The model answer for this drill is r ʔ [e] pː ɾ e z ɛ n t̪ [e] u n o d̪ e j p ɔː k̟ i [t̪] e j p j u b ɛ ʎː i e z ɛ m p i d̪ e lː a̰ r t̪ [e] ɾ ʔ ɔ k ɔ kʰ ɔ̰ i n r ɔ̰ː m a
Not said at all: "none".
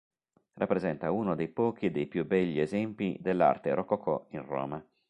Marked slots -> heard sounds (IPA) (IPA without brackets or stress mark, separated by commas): a, a, d̪, e